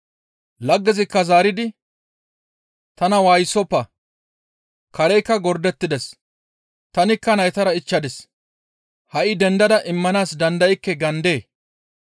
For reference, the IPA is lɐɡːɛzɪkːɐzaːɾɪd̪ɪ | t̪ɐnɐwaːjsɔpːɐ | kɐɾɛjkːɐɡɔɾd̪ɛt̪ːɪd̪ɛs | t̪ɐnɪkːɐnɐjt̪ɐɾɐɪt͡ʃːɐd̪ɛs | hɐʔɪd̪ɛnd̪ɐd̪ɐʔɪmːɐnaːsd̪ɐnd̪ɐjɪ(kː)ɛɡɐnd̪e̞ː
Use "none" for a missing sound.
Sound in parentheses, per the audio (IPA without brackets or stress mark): kː